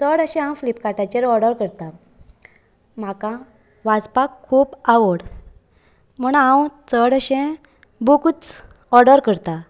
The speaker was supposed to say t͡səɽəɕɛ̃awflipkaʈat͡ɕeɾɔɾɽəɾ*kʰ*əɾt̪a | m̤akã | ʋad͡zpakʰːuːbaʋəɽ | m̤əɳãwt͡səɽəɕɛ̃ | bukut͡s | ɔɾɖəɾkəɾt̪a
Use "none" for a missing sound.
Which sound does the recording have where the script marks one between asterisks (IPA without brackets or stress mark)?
k